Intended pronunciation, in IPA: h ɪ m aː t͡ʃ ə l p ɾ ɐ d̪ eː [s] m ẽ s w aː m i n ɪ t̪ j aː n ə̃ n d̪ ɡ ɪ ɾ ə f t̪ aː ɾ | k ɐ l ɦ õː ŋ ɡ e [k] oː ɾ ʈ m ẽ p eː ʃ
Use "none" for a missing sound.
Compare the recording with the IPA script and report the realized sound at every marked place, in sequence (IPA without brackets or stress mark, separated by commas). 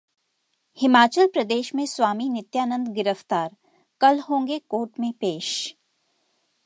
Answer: ʃ, k